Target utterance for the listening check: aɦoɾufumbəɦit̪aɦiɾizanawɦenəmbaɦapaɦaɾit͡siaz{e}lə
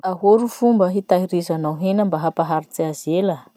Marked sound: correct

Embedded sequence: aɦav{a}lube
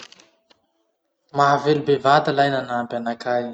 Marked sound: incorrect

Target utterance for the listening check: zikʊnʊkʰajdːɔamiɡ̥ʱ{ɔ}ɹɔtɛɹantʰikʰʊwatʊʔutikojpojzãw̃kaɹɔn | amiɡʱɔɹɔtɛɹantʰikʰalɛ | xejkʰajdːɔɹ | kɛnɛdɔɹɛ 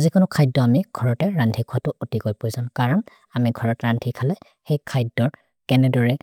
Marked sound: correct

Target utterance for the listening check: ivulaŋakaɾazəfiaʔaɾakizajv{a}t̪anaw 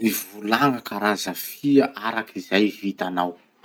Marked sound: incorrect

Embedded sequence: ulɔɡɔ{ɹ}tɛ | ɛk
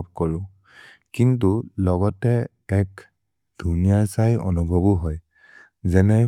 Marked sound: incorrect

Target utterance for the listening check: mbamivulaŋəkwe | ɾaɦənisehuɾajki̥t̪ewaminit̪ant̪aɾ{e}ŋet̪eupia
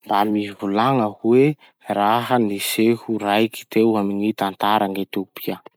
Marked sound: incorrect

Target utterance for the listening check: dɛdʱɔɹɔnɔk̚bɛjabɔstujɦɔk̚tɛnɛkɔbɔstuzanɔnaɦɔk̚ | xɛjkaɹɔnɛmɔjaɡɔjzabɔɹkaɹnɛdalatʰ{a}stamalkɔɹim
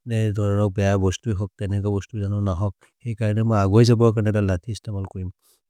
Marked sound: incorrect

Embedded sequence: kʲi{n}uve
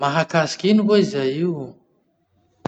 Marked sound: correct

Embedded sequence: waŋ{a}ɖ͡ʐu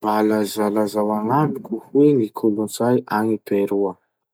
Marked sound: correct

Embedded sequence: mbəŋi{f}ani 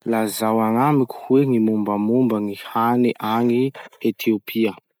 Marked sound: incorrect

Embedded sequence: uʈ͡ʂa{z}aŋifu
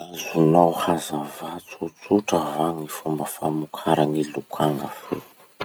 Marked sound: incorrect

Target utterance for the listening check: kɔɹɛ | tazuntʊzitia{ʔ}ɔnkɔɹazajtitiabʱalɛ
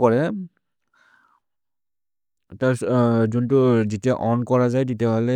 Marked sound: correct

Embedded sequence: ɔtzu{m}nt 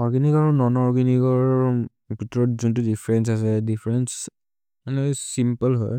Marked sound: incorrect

